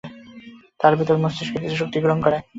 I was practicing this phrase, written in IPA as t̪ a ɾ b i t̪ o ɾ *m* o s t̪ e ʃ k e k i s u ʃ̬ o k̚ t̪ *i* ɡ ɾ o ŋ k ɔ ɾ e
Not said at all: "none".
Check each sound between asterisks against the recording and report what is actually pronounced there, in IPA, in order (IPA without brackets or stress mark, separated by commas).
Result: m, i